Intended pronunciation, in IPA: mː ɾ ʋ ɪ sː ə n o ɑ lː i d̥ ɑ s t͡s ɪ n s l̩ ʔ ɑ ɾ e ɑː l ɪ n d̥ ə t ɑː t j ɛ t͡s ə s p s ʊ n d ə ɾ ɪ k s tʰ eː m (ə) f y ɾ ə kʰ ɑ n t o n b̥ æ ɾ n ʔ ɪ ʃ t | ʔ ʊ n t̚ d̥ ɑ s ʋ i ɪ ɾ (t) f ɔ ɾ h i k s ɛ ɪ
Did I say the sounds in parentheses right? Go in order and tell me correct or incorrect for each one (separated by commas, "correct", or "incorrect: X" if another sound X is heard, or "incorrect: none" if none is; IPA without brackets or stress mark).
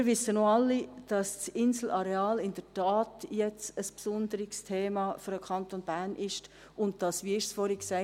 incorrect: ɑ, incorrect: s